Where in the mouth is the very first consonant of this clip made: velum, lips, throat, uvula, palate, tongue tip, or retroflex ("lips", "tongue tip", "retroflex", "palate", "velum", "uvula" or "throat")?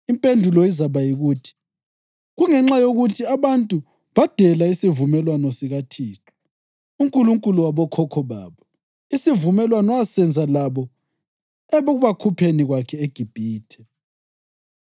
lips